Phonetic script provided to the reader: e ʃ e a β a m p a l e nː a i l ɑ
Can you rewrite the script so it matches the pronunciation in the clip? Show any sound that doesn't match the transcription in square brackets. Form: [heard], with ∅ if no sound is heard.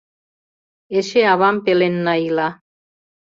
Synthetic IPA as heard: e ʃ e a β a m p [e] l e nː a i l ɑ